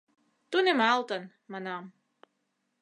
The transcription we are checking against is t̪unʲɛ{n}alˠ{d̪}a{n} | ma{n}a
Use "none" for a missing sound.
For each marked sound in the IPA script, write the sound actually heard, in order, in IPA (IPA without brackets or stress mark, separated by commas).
m, t̪, n, n